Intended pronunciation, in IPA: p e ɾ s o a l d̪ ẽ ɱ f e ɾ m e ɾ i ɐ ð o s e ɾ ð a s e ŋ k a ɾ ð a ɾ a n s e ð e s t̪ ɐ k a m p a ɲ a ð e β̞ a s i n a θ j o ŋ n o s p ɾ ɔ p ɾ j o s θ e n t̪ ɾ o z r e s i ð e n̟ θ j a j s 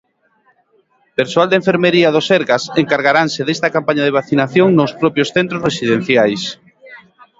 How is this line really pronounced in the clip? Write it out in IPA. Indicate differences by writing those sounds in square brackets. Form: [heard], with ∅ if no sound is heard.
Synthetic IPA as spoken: p e ɾ s o a l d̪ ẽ ɱ f e ɾ m e ɾ i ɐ ð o s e ɾ [ɣ] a s e ŋ k a ɾ [ɣ] a ɾ a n s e ð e s t̪ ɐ k a m p a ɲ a ð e β̞ a [θ] i n a θ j o ŋ n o s p ɾ ɔ p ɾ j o s θ e n t̪ ɾ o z r e s i ð e n̟ θ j a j s